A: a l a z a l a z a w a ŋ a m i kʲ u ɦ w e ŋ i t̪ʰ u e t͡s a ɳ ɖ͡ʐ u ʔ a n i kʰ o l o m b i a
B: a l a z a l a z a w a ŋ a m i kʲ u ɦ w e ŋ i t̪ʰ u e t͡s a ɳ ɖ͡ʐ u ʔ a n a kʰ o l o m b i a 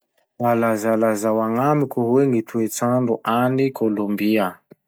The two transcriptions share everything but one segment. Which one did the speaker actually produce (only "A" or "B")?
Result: A